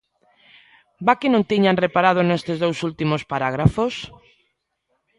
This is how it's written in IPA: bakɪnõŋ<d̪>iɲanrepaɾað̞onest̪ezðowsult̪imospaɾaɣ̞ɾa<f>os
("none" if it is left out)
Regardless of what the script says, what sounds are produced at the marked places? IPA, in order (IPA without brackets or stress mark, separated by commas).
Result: t̪, f